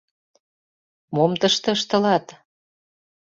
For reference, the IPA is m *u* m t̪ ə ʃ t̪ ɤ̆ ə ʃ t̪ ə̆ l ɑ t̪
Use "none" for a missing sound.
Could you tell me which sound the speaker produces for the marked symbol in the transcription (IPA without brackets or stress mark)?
o